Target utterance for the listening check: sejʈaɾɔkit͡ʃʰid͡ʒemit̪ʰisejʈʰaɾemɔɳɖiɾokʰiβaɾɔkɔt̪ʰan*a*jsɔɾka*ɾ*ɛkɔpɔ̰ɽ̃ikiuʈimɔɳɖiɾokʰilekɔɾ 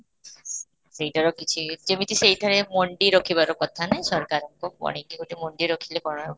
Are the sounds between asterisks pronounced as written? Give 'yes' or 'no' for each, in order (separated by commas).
yes, yes